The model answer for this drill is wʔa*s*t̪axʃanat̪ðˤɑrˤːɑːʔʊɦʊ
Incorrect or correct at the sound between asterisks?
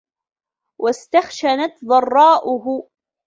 correct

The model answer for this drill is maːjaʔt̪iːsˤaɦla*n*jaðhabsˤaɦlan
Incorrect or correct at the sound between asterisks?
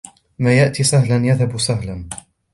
correct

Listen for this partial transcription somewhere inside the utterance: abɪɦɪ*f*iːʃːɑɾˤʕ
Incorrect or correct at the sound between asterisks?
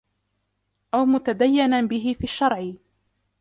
correct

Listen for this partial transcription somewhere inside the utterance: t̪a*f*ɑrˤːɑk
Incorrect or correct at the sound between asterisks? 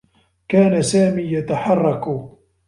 incorrect: ħ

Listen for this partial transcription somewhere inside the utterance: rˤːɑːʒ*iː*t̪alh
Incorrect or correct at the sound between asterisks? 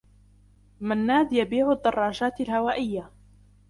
incorrect: aː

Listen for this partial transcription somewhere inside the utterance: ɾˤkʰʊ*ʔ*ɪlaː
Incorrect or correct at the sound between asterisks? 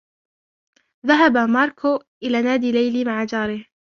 correct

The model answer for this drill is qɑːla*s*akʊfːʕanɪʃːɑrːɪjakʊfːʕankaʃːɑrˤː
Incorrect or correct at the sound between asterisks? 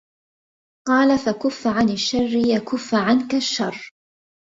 incorrect: f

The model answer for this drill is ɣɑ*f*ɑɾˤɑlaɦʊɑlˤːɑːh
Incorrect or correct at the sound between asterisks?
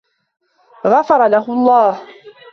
correct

